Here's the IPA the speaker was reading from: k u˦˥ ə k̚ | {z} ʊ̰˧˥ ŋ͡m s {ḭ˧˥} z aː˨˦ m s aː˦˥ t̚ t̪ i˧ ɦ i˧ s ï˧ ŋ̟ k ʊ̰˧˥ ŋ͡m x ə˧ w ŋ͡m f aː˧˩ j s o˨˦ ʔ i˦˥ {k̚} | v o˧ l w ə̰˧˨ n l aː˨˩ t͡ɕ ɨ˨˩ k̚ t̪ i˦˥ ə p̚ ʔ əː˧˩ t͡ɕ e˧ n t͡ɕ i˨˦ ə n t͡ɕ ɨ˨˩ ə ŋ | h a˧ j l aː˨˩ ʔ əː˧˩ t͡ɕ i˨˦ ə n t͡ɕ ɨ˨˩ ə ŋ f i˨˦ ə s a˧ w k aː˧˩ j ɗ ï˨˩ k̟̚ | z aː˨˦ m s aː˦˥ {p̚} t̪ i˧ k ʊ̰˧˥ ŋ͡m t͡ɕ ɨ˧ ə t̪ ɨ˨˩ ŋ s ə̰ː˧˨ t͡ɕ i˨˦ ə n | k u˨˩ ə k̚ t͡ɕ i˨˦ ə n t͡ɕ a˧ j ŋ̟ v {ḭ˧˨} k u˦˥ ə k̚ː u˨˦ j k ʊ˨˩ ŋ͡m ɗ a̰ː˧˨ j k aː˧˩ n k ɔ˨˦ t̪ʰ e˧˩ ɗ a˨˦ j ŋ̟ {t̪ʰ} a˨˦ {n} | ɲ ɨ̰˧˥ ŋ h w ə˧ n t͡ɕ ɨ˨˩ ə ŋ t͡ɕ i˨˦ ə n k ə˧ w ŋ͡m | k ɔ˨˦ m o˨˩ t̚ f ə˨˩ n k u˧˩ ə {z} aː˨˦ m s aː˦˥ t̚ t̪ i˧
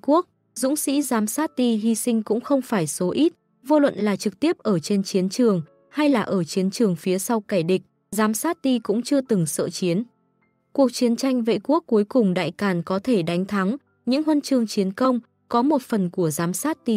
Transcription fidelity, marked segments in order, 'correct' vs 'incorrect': correct, correct, incorrect: t̚, incorrect: t̚, incorrect: ḛ˧˨, correct, incorrect: ŋ, correct

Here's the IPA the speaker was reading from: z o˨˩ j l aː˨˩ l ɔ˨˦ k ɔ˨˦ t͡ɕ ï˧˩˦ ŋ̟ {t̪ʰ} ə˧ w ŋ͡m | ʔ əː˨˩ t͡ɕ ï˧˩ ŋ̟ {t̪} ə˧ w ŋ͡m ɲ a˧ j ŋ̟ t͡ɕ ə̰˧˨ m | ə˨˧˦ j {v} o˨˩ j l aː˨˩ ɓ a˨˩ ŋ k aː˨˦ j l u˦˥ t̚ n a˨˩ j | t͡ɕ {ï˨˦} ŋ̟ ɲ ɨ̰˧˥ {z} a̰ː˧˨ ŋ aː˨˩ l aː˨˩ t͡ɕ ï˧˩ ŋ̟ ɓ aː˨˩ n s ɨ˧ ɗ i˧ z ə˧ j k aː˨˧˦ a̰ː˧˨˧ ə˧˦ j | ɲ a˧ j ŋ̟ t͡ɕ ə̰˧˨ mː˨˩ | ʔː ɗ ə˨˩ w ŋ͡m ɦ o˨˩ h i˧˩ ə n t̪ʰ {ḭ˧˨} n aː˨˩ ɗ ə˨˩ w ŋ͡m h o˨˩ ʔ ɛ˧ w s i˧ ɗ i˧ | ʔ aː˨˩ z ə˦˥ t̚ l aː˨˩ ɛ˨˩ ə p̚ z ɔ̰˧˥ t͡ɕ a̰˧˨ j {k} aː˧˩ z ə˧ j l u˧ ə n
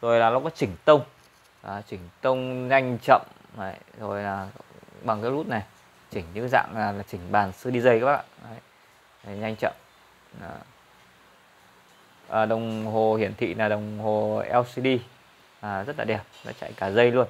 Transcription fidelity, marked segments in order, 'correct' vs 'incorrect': incorrect: t̪, correct, incorrect: z, incorrect: ï˧˩, correct, correct, correct

